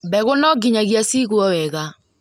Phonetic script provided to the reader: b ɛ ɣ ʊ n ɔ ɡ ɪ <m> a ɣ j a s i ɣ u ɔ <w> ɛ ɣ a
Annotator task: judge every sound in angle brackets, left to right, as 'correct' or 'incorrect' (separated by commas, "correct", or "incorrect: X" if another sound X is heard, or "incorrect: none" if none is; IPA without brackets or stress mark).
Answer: incorrect: ɲ, correct